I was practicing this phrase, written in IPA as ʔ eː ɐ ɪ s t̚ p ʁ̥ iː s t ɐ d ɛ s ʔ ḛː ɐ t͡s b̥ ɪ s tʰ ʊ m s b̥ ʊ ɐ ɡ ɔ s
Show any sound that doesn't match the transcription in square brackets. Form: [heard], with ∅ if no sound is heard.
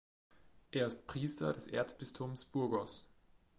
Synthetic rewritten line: ʔ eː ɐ ɪ s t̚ p ʁ̥ iː s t ɐ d ɛ s ʔ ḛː ɐ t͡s b̥ ɪ s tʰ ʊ m s b̥ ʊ ɐ ɡ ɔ s